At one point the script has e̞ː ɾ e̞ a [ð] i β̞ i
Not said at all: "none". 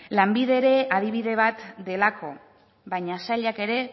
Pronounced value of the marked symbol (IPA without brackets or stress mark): ð